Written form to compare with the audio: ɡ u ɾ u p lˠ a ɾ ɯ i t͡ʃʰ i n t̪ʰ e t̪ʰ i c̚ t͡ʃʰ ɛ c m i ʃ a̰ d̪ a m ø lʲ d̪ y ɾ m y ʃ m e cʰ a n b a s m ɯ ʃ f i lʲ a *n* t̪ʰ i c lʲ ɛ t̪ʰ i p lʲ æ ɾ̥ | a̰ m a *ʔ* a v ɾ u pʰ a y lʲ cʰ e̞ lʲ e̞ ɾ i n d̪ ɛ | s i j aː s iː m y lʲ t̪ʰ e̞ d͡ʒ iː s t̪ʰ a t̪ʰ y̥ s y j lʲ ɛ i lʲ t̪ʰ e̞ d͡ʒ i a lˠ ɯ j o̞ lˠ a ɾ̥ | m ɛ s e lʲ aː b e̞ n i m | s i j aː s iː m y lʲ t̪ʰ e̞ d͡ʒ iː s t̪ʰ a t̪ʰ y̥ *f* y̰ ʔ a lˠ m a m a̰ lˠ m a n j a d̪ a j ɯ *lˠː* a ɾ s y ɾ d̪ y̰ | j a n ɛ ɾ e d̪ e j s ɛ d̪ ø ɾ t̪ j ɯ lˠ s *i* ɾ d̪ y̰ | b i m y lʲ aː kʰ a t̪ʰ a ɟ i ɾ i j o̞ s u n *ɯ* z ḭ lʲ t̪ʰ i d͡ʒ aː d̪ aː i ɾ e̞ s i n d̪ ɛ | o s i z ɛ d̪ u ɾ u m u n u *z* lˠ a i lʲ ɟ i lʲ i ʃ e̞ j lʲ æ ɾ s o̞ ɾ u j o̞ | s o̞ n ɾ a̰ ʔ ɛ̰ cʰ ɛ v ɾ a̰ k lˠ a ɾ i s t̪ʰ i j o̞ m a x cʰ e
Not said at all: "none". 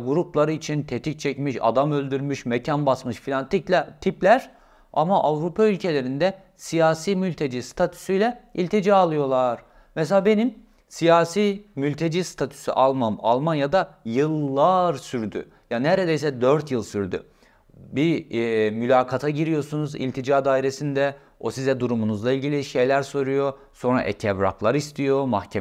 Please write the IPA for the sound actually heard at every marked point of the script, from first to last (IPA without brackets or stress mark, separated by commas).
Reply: n, ʔ, s, lˠː, y, u, z